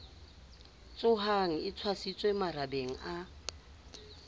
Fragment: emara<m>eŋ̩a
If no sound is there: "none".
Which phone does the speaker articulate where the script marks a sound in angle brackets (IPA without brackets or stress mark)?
b